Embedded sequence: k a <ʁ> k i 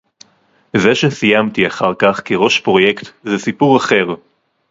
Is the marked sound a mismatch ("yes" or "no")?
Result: yes